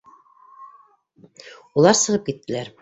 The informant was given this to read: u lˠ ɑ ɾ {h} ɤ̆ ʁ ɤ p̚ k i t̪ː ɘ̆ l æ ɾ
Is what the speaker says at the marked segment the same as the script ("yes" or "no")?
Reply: no